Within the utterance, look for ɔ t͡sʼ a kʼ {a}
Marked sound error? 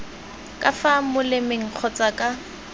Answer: no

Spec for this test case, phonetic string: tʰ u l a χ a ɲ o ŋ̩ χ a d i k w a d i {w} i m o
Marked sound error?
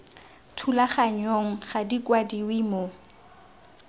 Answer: no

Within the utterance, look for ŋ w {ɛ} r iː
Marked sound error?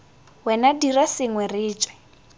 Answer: no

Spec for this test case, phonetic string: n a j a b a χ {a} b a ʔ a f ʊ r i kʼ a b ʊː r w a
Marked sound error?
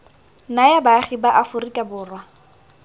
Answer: yes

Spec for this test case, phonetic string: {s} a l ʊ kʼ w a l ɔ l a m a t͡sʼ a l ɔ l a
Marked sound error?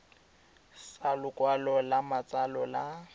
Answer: no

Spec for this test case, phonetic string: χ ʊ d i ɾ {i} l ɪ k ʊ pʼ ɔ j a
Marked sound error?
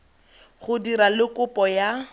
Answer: yes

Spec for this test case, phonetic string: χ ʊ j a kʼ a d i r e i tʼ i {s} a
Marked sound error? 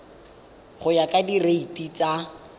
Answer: yes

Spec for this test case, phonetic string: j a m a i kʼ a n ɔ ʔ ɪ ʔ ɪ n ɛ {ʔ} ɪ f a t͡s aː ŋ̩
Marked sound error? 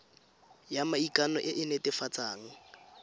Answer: yes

